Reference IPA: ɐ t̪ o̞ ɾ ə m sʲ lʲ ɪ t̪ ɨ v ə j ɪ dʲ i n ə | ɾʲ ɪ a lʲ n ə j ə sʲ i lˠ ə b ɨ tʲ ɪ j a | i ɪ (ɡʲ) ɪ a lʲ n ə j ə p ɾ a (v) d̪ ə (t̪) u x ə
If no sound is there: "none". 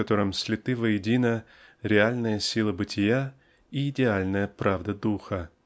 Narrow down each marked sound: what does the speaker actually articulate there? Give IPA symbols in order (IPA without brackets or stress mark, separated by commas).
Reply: dʲ, v, d̪